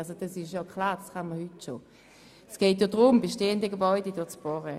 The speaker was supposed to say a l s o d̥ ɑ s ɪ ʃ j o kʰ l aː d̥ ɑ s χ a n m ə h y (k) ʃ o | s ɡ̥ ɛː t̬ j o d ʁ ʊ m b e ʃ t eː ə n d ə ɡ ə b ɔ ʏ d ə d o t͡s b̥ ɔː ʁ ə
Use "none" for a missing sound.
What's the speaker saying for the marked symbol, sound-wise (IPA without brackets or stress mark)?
t